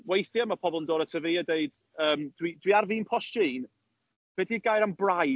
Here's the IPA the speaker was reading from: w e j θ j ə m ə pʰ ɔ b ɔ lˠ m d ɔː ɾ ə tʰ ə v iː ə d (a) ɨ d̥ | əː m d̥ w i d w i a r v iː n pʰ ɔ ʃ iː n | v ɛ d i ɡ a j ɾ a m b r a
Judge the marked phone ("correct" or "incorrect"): incorrect